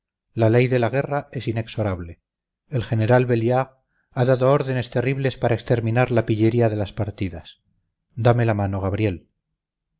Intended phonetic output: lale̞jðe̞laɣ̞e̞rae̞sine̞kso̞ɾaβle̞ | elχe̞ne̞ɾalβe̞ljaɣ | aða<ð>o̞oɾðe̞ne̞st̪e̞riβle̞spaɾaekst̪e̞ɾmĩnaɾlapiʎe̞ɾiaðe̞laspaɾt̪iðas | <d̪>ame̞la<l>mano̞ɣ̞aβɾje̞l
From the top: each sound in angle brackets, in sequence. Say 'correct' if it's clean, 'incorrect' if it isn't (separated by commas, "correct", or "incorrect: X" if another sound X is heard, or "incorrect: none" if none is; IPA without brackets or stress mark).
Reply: correct, correct, incorrect: none